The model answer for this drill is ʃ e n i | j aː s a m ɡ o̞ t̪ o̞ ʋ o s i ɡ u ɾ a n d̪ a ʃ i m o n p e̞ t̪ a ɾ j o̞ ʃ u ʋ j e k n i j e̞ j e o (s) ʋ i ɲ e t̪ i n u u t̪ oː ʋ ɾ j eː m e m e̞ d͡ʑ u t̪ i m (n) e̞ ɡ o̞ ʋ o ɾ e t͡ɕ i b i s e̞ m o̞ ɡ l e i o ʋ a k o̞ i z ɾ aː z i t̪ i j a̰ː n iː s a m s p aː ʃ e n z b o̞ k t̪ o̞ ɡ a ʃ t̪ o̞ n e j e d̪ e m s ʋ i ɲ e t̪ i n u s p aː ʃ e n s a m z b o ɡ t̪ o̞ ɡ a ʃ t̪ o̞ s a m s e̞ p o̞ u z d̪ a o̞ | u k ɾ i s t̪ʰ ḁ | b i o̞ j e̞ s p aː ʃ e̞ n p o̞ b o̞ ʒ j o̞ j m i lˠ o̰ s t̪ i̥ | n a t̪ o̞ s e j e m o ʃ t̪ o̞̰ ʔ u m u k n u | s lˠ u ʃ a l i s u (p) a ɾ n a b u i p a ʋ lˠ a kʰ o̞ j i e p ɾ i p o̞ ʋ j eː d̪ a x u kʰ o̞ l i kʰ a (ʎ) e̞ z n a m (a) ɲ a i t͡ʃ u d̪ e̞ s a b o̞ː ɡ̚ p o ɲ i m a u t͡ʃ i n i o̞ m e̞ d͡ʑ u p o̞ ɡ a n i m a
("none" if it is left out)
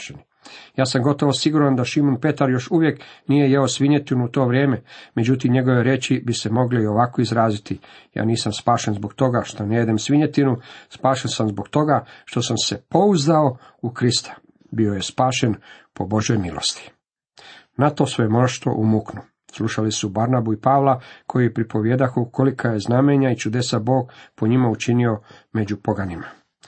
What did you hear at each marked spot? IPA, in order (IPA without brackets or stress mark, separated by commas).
s, ɲ, b, j, e